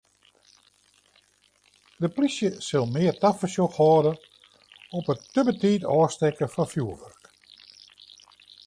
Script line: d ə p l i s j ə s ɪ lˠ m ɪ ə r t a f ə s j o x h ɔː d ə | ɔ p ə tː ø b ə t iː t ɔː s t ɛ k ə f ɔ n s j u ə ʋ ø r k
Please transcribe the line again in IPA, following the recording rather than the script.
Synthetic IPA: d ə p l i s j ə s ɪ lˠ m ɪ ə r t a f ə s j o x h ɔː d ə | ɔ p ə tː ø b ə t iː t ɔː s t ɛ k ə f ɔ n f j u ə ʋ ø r k